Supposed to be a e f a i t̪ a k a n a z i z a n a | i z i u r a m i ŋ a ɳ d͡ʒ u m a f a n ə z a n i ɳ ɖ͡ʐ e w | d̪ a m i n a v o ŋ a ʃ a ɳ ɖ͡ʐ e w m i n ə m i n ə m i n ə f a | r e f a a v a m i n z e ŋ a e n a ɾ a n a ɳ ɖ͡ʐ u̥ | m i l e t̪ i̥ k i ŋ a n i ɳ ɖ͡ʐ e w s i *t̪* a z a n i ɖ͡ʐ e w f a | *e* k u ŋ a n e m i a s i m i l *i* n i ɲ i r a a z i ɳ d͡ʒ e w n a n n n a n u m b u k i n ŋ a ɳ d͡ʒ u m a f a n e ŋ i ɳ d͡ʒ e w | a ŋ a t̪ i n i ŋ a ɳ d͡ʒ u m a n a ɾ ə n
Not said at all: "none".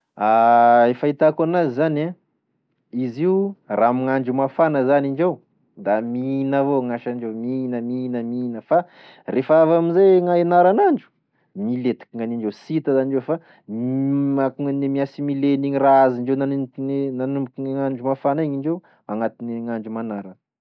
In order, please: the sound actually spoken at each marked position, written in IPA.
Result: t̪, a, e

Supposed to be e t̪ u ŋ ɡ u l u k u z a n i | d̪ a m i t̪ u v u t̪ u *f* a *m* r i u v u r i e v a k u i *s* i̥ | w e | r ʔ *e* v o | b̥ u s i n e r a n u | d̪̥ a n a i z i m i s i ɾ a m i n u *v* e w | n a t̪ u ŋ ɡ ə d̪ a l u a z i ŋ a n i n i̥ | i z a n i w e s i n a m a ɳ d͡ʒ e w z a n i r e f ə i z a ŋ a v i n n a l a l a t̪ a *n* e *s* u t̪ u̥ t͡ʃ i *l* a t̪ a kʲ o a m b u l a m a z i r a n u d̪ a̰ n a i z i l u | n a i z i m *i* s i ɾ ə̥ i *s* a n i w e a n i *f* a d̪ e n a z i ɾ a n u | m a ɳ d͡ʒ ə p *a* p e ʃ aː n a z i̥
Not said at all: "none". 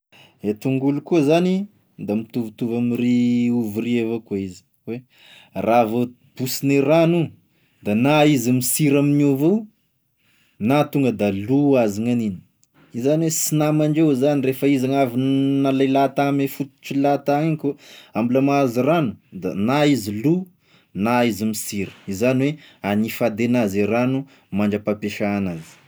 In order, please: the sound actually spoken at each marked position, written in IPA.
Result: v, m, z, a, v, m, f, l, i, z, f, a

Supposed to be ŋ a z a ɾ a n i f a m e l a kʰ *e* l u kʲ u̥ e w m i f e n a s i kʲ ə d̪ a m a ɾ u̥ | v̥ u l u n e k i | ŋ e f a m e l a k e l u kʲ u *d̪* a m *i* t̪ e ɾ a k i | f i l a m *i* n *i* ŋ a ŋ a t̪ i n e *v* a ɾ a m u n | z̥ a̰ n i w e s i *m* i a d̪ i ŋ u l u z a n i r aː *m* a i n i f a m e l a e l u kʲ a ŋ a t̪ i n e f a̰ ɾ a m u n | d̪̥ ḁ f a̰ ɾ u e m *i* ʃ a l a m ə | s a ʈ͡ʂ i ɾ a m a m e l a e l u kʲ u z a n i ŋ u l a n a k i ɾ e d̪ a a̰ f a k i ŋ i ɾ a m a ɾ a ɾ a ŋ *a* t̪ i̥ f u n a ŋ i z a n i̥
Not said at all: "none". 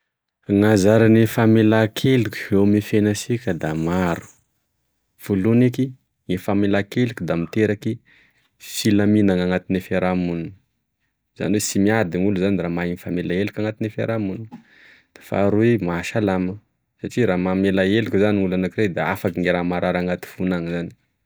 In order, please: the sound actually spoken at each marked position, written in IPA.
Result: e, d̪, i, i, a, f, m, m, a, a

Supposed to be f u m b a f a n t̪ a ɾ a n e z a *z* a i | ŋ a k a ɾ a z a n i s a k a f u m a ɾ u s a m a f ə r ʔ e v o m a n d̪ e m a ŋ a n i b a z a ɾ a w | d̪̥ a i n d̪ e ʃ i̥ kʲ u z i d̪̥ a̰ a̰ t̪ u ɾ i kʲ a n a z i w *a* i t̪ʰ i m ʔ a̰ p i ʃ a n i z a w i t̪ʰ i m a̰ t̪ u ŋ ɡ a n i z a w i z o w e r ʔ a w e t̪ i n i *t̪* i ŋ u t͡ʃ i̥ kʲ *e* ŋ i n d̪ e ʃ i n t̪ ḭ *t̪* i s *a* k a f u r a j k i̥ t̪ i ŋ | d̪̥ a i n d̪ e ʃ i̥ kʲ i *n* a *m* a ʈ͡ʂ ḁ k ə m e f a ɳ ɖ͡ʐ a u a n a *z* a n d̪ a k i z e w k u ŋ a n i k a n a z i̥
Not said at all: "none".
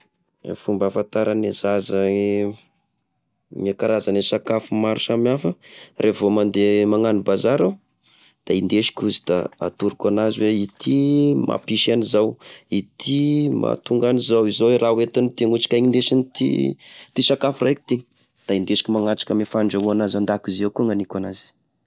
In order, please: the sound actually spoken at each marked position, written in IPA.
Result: z, e, t̪, a, t̪, a, m, ŋ, z

